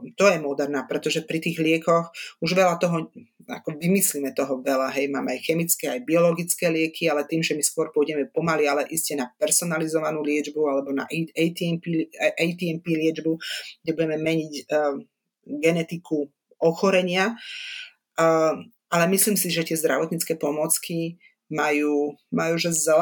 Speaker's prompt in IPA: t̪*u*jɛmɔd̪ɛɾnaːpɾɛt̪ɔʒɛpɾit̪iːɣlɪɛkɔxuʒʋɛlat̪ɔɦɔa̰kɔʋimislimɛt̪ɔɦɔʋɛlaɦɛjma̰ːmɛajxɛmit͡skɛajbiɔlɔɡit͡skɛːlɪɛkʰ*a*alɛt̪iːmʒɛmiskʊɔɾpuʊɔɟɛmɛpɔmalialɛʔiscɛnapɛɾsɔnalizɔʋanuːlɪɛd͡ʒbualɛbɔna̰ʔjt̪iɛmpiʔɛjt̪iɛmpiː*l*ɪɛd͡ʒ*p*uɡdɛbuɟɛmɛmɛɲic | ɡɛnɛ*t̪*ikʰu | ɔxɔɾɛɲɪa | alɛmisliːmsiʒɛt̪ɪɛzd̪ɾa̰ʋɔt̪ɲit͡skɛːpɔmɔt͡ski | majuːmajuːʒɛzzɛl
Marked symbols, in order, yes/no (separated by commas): no, no, yes, no, yes